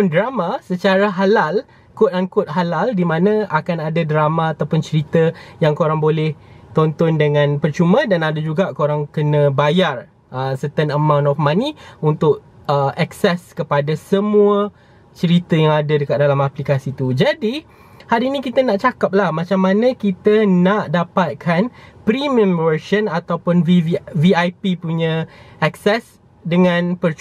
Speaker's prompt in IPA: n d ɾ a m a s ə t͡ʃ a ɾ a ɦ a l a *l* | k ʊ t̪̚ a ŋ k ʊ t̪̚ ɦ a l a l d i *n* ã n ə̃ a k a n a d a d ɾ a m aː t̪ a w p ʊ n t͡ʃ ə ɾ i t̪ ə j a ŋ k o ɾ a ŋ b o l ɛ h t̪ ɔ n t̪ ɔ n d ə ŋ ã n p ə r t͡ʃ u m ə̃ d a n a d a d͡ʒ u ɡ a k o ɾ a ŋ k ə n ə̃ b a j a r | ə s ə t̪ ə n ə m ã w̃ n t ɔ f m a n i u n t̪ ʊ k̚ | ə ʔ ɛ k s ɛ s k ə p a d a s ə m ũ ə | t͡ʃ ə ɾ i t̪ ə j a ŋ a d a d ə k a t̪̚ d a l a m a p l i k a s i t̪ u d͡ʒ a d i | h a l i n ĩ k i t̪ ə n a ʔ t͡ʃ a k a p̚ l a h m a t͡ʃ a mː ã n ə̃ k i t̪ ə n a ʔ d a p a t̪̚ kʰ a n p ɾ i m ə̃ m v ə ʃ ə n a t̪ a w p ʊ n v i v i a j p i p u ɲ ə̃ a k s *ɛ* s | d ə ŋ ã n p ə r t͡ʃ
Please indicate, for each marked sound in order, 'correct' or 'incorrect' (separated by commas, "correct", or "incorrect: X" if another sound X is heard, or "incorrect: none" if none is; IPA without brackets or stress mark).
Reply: correct, incorrect: m, correct